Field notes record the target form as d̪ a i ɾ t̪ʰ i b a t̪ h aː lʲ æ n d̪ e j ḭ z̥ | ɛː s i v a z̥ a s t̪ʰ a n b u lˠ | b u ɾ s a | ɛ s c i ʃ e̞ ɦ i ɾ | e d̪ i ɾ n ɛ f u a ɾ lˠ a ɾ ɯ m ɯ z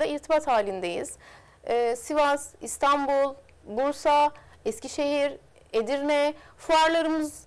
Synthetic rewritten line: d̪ a i ɾ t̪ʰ i b a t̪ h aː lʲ i n d̪ e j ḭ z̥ | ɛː s i v a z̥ i s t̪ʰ a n b u lˠ | b u ɾ s a | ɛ s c i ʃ e̞ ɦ i ɾ | e d̪ i ɾ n ɛ f u a ɾ lˠ a ɾ ɯ m ɯ z